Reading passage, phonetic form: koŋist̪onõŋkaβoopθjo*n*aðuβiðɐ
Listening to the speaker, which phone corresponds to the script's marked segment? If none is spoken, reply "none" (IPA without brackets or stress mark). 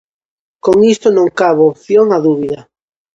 ŋ